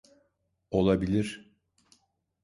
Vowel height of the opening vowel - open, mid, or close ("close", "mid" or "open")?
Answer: mid